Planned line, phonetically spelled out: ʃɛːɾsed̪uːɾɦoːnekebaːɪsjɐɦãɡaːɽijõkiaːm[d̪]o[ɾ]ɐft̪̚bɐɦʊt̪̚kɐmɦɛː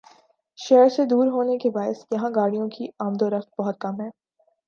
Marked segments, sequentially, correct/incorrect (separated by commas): correct, correct